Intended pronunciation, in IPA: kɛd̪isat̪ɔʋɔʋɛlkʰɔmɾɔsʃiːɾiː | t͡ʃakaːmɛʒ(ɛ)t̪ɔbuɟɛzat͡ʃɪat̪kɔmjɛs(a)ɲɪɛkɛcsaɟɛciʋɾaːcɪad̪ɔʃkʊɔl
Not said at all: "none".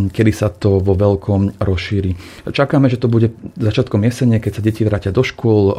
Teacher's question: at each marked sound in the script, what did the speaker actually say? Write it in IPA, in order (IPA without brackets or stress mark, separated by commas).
ɛ, ɛ